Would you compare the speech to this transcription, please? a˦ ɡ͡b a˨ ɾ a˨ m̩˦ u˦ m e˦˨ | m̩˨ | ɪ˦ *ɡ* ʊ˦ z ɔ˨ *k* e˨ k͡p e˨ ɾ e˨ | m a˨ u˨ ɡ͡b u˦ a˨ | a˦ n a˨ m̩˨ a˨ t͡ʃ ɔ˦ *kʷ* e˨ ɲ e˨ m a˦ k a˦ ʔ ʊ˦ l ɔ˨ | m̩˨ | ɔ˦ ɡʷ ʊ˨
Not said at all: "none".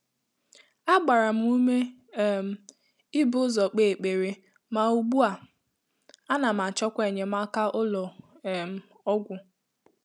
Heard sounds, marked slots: b, k͡p, kʷ

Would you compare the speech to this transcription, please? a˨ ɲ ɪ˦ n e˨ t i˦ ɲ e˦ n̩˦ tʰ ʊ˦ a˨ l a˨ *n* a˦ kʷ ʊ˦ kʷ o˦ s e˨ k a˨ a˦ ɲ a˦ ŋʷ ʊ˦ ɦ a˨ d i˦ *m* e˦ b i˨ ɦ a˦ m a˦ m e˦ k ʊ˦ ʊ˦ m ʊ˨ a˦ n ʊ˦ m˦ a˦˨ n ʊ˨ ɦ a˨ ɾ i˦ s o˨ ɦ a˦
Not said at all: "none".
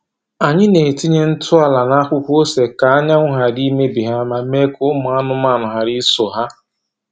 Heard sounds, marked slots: n, m

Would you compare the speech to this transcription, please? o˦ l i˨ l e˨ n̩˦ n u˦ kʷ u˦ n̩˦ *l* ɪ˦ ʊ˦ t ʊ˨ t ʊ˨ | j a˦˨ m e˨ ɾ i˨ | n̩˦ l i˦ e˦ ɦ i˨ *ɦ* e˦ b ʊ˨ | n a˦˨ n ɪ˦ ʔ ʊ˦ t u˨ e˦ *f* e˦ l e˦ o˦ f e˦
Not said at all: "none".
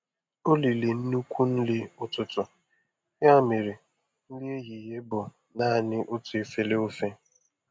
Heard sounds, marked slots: l, ɦ, f

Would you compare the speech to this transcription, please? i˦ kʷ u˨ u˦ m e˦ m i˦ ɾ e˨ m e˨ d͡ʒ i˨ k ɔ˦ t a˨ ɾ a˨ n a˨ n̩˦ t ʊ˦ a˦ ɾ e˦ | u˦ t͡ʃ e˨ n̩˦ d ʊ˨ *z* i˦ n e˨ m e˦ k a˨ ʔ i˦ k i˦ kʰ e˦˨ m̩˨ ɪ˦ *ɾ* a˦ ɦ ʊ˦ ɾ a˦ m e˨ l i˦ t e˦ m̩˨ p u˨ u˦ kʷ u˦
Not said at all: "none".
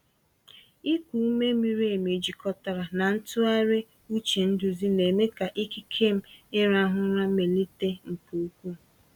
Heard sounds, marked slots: z, ɾ

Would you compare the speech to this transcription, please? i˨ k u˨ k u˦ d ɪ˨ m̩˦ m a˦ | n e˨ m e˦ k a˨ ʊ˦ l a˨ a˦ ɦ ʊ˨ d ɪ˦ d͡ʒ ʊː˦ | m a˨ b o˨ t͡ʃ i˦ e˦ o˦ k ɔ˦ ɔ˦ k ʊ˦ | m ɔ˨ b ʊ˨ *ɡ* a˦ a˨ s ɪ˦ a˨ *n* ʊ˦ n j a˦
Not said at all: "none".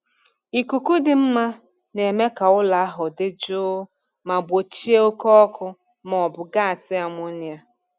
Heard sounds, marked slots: ɡ, m

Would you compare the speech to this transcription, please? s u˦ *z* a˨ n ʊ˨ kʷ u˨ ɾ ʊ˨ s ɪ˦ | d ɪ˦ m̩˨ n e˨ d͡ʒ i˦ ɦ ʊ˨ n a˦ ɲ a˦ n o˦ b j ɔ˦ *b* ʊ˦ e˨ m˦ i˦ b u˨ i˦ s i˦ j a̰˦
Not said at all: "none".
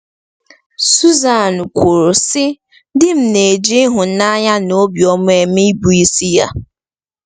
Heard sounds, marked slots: z, m

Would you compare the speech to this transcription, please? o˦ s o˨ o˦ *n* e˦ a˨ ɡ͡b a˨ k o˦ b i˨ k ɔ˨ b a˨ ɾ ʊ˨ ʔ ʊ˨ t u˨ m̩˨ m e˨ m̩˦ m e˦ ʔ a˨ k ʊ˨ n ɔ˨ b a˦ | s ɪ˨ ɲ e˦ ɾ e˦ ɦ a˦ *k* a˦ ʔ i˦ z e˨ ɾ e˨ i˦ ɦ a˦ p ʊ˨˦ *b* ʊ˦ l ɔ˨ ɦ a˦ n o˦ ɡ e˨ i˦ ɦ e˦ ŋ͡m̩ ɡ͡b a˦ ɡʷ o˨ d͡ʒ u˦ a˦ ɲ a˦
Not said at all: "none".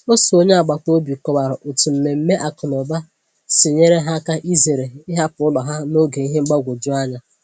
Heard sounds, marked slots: ɲ, k, none

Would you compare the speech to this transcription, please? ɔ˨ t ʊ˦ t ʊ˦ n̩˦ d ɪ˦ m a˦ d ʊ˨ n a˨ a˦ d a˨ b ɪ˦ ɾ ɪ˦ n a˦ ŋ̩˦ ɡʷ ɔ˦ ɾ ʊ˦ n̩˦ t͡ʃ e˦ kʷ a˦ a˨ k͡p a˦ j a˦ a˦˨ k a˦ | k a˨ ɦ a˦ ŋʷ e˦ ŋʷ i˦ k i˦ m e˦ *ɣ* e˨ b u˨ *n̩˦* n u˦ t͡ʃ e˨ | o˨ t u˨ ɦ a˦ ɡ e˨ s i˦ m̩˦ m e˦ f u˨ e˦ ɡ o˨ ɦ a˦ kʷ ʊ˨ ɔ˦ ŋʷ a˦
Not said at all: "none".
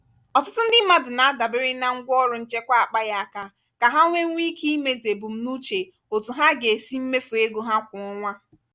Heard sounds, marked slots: z, m̩˦

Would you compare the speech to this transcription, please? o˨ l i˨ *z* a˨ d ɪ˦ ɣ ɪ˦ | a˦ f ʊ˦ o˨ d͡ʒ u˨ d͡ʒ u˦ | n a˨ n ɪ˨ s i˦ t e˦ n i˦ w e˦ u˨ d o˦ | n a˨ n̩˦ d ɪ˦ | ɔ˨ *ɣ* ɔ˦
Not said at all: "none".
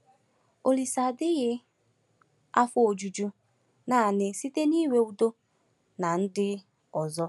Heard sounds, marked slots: s, z

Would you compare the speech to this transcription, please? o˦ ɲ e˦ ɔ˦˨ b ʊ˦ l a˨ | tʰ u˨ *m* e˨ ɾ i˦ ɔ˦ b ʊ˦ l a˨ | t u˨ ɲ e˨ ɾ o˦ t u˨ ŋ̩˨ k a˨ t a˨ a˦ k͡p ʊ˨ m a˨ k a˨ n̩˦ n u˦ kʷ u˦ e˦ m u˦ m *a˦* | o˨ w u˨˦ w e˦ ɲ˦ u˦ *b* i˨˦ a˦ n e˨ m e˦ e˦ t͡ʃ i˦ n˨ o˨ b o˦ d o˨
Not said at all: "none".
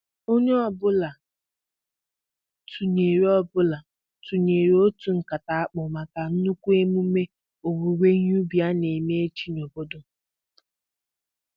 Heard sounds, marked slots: ɲ, e˦, b

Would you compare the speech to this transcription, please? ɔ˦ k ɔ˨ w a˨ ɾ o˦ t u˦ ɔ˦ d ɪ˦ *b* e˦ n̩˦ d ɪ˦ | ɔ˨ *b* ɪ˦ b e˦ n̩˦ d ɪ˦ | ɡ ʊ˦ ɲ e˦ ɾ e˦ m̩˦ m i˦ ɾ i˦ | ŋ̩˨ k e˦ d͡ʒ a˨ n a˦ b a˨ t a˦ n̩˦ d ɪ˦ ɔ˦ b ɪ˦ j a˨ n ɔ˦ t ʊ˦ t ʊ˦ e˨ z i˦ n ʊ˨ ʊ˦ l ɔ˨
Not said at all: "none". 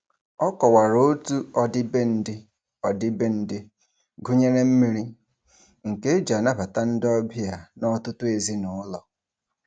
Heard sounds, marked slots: b, d

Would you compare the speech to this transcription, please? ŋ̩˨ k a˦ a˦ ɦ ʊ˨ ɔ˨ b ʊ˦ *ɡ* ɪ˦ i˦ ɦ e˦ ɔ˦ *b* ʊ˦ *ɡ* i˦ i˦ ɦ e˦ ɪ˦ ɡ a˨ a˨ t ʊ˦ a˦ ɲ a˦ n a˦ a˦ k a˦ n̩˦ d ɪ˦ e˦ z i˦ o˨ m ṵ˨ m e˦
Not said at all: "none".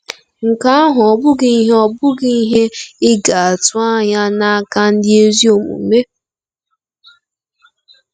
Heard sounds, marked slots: ɡ, b, ɡ

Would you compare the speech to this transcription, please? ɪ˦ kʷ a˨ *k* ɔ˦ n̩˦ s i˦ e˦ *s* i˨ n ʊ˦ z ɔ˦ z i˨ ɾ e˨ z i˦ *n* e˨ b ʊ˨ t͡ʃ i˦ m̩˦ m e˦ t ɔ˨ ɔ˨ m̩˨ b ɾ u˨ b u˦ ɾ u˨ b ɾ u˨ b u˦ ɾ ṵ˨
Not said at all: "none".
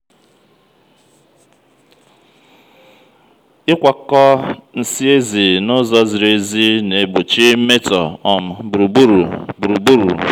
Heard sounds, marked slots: k, z, n

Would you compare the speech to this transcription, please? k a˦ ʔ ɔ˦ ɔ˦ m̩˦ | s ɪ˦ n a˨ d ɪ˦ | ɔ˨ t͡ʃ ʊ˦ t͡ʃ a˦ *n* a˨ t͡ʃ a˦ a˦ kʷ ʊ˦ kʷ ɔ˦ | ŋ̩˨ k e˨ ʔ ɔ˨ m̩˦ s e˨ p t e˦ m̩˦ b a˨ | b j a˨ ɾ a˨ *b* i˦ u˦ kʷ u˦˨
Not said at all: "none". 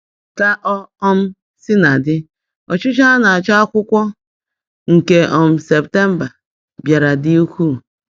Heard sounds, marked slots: n, d

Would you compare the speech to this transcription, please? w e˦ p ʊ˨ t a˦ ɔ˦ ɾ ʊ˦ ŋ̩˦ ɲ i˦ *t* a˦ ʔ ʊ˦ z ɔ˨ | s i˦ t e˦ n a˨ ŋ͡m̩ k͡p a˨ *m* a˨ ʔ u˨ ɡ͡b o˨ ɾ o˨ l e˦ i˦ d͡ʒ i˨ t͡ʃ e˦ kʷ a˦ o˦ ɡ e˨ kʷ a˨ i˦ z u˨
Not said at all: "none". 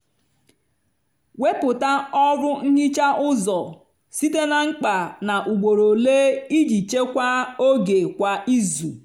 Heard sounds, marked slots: t͡ʃ, n

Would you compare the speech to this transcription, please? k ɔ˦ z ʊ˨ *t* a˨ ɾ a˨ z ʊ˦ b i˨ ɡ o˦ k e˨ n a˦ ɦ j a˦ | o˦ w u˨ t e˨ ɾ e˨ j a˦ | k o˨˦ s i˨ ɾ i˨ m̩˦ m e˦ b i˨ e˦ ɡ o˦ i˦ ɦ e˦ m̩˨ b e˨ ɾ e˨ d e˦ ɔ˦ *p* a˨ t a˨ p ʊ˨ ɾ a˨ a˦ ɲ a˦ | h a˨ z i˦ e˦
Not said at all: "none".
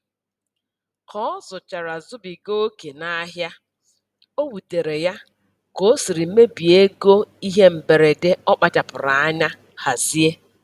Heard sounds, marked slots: t͡ʃ, k͡p

